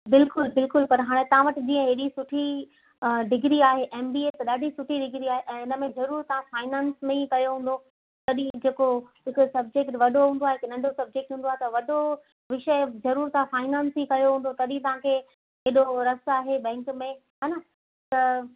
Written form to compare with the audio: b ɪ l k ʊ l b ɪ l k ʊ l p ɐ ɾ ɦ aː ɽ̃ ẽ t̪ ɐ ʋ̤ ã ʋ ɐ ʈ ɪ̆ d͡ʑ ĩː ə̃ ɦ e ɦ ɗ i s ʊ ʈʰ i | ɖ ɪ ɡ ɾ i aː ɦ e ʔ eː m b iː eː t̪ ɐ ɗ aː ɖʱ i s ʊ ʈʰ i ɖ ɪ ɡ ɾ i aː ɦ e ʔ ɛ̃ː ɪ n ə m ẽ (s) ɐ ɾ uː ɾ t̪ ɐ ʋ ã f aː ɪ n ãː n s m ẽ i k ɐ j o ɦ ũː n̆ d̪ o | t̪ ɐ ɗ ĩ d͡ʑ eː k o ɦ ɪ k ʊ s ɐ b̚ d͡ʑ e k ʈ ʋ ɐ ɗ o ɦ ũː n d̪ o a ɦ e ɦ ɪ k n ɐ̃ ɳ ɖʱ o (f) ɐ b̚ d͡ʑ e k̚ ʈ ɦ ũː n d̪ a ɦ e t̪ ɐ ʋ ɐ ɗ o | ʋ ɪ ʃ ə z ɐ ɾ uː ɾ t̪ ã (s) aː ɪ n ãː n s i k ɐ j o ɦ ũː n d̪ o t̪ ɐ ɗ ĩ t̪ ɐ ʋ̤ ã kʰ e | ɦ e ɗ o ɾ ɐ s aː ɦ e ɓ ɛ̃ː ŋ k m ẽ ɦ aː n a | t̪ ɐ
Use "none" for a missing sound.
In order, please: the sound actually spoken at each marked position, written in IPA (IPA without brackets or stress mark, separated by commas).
z, s, f